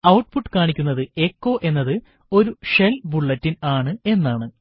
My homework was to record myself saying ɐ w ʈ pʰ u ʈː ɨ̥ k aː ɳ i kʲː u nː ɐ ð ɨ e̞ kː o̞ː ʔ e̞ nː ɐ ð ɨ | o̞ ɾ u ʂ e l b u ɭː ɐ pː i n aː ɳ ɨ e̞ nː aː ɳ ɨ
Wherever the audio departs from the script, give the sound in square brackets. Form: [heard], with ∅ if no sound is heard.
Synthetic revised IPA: ɐ w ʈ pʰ u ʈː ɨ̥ k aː ɳ i kʲː u nː ɐ ð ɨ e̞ kː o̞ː ʔ e̞ nː ɐ ð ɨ | o̞ ɾ u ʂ e l b u ɭː ɐ [tː] i n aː ɳ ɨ e̞ nː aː ɳ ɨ